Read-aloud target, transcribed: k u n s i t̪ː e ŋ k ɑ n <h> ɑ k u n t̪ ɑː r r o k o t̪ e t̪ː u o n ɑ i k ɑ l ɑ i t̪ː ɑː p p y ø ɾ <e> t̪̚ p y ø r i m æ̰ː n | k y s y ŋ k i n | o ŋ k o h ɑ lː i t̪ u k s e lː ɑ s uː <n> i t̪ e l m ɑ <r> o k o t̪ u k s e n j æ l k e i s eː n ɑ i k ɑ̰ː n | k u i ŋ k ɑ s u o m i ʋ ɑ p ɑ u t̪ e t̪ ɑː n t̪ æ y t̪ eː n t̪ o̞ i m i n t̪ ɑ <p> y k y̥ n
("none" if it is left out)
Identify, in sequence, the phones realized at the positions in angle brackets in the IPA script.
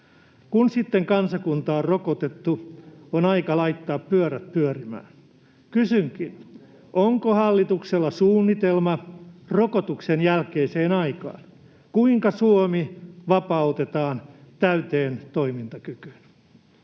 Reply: s, æ, nː, r, k

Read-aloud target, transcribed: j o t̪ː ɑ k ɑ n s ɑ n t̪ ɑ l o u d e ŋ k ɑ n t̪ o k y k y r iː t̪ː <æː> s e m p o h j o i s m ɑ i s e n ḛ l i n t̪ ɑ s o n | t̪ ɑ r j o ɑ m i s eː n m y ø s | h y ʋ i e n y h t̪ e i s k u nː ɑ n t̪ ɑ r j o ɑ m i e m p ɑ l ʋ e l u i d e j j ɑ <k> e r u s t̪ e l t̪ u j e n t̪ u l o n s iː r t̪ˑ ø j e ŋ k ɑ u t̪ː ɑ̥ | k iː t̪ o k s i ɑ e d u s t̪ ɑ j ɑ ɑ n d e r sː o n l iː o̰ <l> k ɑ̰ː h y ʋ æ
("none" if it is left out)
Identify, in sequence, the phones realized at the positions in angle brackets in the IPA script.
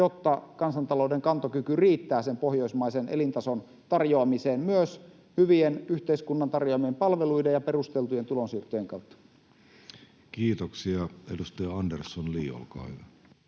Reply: æː, p, l

